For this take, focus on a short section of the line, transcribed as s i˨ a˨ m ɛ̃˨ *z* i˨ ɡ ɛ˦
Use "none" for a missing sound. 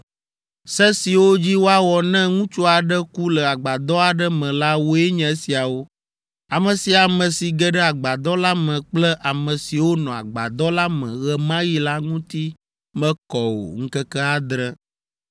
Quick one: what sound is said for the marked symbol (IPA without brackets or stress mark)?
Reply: s